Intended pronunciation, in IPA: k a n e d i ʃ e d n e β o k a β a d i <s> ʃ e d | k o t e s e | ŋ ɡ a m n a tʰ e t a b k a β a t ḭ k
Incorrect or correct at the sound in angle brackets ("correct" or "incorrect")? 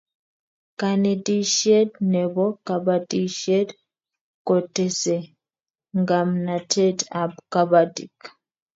incorrect